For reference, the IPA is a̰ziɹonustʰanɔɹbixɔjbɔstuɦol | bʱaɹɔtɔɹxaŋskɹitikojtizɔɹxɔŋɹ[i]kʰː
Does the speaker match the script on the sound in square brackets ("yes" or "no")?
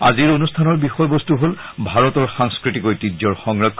no